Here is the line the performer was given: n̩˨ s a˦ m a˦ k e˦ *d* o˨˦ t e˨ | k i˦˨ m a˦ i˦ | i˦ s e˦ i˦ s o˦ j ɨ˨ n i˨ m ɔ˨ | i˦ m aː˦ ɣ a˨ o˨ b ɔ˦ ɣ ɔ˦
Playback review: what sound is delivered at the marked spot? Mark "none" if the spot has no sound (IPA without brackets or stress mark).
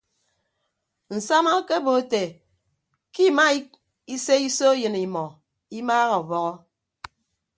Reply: b